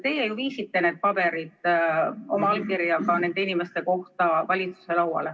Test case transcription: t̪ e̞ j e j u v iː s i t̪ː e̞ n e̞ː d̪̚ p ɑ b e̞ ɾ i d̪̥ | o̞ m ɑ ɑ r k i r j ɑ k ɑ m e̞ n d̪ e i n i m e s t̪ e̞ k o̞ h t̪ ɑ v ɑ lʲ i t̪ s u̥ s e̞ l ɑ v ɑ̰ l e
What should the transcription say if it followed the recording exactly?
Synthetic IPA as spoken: t̪ e̞ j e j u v iː s i t̪ː e̞ n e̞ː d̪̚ p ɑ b e̞ ɾ i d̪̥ | o̞ m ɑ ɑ l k i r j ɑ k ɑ n e̞ n d̪ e i n i m e s t̪ e̞ k o̞ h t̪ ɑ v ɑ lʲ i t̪ s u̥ s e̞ l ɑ w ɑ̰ l e